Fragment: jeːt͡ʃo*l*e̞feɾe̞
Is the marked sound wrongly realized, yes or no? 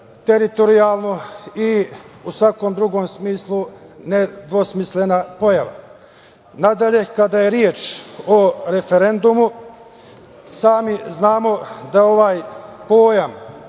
yes